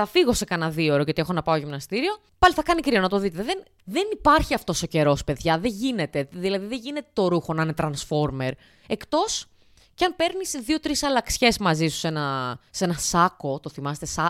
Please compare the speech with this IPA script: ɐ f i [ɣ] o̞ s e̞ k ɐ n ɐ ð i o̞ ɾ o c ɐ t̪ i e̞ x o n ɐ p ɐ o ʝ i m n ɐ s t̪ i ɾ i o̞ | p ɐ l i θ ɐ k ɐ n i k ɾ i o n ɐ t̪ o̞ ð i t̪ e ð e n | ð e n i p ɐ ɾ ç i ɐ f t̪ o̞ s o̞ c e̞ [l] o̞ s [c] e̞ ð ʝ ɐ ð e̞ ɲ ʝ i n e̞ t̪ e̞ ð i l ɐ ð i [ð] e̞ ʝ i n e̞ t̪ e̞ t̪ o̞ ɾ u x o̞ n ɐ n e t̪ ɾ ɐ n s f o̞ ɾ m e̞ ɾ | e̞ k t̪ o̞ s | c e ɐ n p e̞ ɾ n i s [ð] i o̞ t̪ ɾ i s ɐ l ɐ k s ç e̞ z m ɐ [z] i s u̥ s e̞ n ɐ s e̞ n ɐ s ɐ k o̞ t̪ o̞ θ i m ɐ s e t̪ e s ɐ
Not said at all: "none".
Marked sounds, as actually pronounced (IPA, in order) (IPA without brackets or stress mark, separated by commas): ɣ, ɾ, p, ð, ð, z